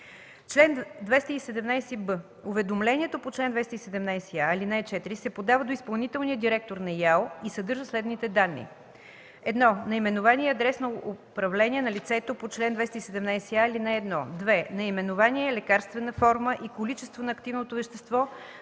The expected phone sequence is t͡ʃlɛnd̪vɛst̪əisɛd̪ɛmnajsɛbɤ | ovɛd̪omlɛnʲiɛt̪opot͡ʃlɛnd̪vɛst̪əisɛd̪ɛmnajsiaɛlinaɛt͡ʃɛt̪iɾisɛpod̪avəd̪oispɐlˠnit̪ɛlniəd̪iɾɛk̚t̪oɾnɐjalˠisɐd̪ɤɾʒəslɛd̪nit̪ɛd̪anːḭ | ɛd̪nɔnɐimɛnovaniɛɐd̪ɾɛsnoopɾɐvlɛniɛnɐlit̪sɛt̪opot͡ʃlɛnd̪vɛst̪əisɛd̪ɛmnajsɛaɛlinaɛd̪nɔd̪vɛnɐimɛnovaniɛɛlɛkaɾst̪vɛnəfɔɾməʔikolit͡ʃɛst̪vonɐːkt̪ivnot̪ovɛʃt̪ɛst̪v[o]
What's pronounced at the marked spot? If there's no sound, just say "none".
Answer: ɔ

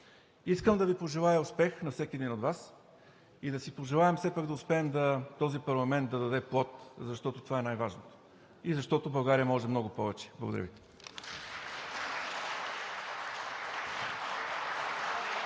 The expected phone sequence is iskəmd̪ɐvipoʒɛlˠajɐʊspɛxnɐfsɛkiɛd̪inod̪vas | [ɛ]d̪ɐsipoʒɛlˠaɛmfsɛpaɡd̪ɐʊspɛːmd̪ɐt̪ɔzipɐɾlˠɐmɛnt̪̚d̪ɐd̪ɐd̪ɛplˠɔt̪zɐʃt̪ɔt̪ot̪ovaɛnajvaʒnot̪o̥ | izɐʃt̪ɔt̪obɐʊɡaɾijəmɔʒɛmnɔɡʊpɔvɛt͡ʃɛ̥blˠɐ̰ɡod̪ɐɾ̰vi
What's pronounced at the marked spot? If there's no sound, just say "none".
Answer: i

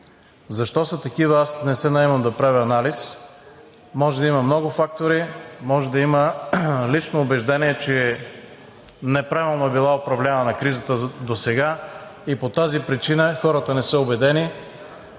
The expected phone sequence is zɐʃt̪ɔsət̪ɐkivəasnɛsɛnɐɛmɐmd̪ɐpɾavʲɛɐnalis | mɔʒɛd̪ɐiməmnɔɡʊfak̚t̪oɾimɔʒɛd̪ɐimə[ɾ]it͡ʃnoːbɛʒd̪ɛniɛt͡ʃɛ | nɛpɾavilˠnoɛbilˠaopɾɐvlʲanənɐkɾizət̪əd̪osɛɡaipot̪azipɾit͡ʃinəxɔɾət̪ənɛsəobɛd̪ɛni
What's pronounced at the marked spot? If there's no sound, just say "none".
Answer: l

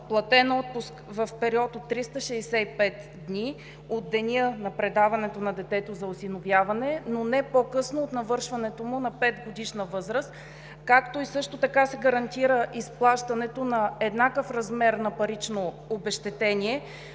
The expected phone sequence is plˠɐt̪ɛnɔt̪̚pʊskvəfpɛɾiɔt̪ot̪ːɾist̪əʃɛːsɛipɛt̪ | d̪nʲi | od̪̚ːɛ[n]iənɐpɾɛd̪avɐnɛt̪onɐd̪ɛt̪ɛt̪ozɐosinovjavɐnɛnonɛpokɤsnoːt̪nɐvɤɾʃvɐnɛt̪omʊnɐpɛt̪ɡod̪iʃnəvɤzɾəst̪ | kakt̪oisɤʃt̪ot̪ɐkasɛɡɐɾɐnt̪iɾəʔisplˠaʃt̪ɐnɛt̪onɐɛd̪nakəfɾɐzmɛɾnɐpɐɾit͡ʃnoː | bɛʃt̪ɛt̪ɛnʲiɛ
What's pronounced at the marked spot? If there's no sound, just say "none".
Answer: n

